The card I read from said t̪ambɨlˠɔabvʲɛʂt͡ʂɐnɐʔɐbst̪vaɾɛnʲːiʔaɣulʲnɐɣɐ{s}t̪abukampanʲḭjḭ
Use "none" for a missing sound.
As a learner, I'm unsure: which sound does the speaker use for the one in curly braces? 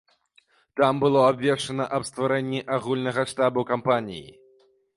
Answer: ʂ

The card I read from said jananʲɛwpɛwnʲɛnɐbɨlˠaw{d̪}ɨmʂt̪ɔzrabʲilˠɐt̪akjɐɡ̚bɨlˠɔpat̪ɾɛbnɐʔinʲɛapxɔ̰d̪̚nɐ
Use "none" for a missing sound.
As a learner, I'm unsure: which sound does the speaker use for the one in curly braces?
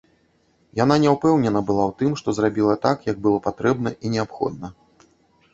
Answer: t̪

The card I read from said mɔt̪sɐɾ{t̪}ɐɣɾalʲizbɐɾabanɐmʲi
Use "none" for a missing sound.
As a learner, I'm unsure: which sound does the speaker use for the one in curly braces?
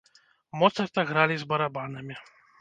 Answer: t̪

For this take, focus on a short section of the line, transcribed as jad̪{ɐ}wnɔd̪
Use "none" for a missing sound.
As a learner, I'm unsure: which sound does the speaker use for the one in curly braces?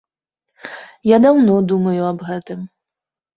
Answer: a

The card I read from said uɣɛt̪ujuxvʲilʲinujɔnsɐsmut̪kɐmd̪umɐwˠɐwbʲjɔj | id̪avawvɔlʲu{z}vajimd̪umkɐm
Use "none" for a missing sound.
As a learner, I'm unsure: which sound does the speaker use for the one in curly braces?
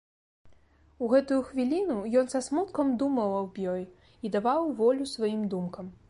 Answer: s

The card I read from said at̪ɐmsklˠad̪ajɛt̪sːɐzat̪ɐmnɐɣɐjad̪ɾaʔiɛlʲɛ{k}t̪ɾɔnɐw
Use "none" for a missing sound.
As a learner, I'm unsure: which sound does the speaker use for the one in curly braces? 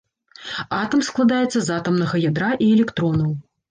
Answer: k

